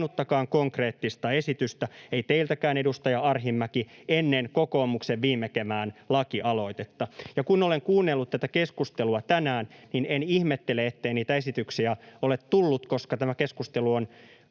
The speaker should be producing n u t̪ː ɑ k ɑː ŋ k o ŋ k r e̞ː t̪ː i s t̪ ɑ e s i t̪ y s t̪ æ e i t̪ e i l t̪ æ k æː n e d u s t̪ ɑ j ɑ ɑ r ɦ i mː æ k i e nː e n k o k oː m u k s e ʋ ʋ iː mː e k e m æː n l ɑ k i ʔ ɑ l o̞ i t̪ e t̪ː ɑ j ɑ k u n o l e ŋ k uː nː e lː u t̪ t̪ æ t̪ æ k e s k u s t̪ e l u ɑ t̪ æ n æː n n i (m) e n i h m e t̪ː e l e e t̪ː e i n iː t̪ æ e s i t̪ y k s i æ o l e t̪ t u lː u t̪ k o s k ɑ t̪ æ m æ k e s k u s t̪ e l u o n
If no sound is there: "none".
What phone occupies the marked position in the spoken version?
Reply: n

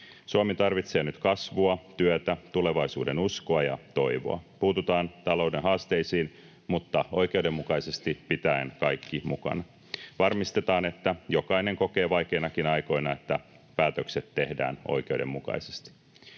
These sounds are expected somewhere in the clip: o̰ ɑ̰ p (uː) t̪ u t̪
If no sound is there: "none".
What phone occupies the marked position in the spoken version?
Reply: uː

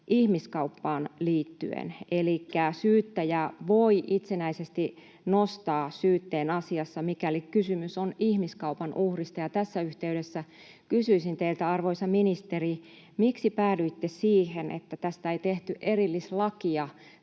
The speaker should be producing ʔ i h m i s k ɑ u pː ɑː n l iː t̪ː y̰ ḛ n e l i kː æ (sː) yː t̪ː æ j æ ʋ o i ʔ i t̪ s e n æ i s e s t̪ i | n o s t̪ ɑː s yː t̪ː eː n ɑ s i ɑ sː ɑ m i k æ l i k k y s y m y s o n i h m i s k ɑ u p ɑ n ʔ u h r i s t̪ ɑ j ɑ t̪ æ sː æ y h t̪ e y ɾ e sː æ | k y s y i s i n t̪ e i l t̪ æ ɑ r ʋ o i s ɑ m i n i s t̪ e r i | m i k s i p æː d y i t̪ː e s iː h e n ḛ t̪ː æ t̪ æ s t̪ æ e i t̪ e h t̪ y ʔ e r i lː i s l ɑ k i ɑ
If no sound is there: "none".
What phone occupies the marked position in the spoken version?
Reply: s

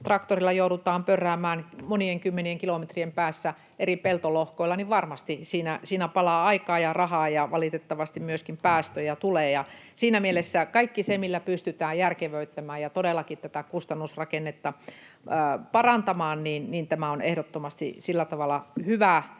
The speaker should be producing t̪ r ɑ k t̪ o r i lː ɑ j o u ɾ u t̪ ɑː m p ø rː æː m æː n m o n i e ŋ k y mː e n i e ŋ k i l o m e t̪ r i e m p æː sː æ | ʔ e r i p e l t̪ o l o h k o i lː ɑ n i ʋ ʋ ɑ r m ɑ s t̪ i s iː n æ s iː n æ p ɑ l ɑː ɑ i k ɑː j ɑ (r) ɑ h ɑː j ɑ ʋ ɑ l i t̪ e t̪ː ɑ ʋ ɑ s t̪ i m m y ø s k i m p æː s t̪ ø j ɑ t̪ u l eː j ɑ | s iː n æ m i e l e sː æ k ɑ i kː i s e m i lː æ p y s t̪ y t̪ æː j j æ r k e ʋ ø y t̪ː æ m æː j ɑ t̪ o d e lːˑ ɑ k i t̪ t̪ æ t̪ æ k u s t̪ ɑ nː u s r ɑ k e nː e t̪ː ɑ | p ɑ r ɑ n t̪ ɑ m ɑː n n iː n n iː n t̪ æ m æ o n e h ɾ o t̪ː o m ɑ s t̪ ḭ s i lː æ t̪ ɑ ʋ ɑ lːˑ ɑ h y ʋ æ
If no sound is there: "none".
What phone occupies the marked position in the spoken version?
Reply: r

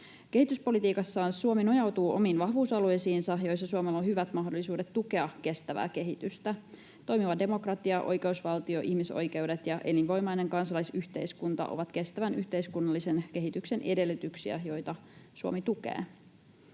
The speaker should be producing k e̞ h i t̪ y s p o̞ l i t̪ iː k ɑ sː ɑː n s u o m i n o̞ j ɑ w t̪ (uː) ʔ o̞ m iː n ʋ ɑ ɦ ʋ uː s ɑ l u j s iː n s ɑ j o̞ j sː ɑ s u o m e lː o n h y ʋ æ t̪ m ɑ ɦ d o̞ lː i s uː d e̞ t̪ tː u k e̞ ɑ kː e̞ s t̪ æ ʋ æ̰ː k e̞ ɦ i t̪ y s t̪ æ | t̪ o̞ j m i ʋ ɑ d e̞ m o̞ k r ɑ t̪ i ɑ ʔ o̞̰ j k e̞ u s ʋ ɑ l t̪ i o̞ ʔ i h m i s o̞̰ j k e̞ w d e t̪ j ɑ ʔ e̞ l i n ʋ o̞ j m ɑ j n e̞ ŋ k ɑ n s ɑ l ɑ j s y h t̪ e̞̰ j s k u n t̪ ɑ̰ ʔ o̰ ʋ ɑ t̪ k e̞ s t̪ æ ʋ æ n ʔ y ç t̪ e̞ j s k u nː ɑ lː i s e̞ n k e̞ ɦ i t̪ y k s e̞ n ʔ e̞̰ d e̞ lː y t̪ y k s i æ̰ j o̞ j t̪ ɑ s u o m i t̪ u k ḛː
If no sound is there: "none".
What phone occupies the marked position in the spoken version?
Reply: uː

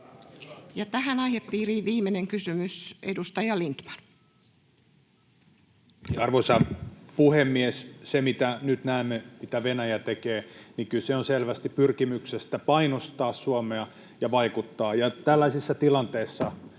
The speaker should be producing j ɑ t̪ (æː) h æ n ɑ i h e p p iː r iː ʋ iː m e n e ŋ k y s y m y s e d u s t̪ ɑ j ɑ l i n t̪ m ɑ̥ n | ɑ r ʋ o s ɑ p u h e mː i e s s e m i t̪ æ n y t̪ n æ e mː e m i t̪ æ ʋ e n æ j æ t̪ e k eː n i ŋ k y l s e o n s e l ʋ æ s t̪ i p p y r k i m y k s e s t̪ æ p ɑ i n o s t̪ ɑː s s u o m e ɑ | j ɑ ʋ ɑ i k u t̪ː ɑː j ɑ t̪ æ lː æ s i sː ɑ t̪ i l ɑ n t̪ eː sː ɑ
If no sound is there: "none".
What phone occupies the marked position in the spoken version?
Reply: æ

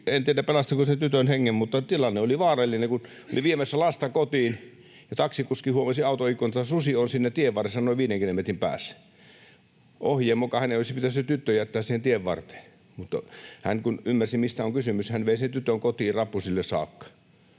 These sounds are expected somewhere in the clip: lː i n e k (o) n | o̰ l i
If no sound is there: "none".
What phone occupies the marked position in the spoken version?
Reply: u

